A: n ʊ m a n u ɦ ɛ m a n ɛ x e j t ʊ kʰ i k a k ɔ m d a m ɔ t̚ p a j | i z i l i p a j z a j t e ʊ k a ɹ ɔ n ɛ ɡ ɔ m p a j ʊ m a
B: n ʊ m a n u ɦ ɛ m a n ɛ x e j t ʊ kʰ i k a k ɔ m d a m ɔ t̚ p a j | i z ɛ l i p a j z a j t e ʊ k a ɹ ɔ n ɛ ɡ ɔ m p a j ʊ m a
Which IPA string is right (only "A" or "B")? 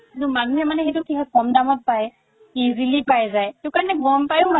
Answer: A